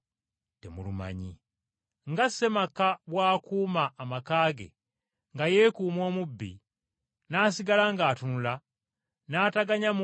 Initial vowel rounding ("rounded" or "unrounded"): unrounded